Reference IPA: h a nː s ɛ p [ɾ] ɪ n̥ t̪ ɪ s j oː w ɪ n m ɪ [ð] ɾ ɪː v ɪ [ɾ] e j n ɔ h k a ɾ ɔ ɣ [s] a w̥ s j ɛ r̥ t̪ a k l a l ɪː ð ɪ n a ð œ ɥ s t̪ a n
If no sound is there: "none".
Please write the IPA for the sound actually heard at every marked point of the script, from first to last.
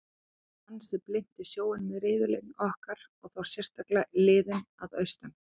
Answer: l, ð, l, θ

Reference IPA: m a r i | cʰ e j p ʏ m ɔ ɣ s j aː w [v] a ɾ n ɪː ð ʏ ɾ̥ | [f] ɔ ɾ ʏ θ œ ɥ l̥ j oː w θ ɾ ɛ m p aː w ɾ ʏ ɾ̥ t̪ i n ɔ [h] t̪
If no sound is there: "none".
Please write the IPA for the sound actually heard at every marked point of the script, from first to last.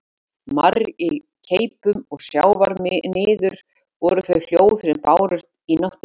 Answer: v, v, h

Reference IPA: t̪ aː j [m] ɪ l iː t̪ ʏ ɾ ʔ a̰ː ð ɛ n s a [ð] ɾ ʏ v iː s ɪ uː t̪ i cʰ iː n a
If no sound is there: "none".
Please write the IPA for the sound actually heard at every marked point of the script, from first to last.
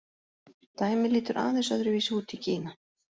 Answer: m, ð

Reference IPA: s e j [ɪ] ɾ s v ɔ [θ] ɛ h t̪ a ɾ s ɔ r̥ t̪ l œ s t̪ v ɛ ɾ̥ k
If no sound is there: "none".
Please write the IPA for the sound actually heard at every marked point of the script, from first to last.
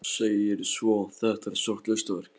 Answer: ɪ, θ

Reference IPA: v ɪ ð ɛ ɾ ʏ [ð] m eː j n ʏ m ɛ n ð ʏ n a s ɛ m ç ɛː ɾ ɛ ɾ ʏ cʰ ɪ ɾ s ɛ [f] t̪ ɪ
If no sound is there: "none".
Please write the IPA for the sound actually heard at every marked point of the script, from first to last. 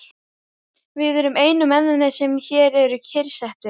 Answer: none, h

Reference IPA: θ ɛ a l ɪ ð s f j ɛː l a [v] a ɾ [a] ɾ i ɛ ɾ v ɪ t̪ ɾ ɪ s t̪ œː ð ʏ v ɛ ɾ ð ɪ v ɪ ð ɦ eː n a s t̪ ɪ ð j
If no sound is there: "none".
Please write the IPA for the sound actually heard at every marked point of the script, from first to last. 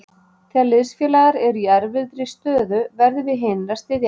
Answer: ɣ, ɛ

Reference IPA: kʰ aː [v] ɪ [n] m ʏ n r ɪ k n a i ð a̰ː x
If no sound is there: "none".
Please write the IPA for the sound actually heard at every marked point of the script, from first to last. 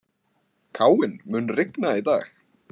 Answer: w, n

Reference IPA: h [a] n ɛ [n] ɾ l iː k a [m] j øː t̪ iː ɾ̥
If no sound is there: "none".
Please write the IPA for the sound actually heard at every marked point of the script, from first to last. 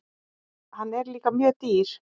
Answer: a, none, m

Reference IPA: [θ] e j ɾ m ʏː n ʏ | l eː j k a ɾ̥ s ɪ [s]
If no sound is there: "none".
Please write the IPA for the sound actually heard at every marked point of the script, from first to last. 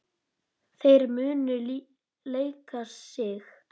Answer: θ, x

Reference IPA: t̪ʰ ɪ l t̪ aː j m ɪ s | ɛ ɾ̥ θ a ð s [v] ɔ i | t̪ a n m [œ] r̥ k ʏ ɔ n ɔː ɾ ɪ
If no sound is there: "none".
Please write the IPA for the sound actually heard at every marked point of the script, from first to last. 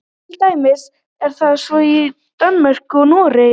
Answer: v, ɛ

